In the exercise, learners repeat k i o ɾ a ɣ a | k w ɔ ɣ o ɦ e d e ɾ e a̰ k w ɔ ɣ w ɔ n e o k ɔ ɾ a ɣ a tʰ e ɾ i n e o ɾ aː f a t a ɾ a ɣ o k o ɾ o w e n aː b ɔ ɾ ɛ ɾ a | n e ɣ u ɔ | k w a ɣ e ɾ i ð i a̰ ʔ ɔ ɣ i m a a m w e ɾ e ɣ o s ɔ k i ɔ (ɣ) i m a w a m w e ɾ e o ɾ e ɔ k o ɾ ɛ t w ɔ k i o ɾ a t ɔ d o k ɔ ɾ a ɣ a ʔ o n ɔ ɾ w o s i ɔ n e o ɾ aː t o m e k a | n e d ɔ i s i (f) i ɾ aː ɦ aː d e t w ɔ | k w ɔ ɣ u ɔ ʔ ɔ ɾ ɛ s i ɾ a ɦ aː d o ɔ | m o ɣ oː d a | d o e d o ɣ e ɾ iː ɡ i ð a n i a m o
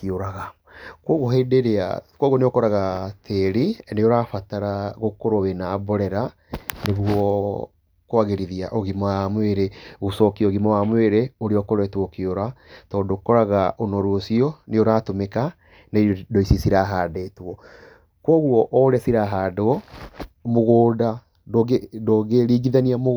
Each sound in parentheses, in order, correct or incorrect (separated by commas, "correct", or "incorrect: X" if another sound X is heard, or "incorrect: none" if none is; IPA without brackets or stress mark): correct, incorrect: s